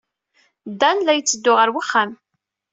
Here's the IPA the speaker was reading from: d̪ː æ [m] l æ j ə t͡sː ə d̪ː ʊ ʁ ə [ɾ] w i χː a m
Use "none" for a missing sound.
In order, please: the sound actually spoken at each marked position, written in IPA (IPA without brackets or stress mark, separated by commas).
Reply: n, ɾ